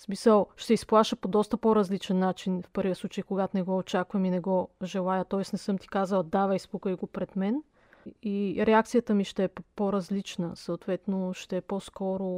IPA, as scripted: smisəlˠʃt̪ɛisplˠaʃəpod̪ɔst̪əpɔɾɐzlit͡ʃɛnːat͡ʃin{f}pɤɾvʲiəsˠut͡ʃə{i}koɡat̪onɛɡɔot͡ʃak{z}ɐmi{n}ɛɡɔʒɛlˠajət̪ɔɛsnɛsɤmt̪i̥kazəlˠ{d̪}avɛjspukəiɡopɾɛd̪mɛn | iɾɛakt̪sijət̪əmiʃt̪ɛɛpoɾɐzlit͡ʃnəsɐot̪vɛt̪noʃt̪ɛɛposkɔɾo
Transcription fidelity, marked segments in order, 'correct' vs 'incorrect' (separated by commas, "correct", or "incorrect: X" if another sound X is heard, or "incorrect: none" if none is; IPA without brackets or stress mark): correct, incorrect: j, incorrect: v, correct, correct